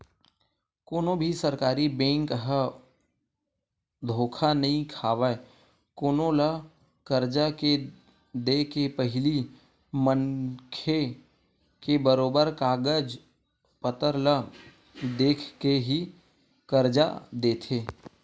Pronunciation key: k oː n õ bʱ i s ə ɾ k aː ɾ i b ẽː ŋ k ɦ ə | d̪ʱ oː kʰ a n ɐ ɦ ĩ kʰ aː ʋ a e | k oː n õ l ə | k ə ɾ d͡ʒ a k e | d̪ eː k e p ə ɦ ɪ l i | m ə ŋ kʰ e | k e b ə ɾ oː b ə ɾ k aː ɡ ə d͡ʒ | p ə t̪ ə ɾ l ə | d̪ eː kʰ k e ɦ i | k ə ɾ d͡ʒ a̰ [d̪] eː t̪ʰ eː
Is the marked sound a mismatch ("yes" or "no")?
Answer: no